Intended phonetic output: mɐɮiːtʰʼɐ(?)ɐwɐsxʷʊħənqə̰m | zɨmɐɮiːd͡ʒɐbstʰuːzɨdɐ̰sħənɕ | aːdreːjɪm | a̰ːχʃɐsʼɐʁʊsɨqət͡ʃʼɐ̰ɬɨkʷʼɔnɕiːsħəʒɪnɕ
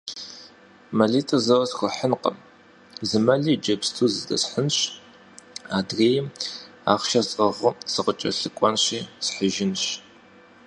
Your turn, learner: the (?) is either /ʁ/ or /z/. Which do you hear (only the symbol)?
z